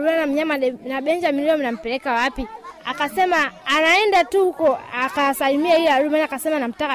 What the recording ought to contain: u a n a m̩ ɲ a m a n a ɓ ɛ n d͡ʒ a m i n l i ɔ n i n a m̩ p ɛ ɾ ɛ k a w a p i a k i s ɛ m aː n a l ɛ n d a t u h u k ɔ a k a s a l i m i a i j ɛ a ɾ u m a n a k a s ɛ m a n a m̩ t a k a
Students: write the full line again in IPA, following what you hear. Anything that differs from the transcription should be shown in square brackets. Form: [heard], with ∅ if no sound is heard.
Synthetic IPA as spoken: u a n a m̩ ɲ a m a n a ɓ ɛ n d͡ʒ a m i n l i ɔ [m] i n a m̩ p ɛ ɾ ɛ k a w a p i a k [a] s ɛ m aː n a [∅] ɛ n d a t u h u k ɔ a k a s a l i m i a i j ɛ a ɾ u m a n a k a s ɛ m a n a m̩ t a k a